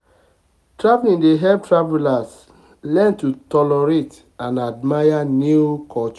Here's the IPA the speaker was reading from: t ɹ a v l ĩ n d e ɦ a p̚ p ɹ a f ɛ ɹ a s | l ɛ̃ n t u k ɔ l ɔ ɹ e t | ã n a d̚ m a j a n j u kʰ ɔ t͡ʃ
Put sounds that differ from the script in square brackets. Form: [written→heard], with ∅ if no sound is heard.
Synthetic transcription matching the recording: t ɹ a v l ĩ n d e ɦ [a→ɛ] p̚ [p→t] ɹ a [f→v] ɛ [ɹ→l] a s | l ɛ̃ n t u [k→t] ɔ l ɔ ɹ e t | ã n a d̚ m a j a n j u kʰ ɔ t͡ʃ